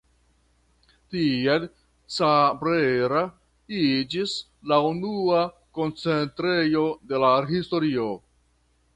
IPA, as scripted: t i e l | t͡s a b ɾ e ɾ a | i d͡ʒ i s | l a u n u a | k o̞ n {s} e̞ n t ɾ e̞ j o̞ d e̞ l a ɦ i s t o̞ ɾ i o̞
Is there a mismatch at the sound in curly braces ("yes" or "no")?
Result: yes